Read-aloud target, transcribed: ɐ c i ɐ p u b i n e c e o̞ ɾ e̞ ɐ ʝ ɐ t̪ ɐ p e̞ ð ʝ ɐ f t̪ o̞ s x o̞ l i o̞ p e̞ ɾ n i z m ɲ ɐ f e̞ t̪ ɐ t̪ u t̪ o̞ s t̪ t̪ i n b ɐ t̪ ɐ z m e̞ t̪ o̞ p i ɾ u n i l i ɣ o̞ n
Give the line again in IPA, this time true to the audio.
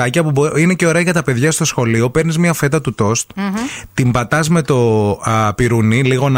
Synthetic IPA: ɐ c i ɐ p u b i n e c e o̞ ɾ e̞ ɐ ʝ ɐ t̪ ɐ p e̞ ð ʝ ɐ s t̪ o̞ s x o̞ l i o̞ p e̞ ɾ n i z m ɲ ɐ f e̞ t̪ ɐ t̪ u t̪ o̞ s t̪ t̪ i m b ɐ t̪ ɐ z m e̞ t̪ o̞ p i ɾ u n i l i ɣ o̞ n